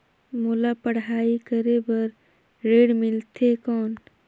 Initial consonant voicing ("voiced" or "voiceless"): voiced